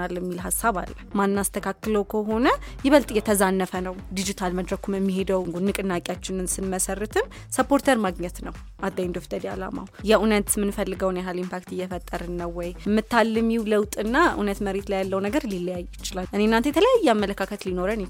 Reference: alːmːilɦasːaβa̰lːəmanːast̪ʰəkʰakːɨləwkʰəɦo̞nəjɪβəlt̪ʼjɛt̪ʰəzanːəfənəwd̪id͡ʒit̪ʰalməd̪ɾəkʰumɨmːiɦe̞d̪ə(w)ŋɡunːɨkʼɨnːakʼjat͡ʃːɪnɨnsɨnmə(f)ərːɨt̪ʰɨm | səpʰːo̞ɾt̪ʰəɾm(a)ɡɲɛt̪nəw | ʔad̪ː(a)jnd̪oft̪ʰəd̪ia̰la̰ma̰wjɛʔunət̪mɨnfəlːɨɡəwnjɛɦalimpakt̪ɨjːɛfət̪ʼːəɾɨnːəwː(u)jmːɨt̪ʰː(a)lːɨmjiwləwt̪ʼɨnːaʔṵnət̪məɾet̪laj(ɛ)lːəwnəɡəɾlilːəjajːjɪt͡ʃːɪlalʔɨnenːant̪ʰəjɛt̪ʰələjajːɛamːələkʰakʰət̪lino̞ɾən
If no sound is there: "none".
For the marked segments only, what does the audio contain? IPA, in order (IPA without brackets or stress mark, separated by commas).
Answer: w, s, a, a, ɔ, a, a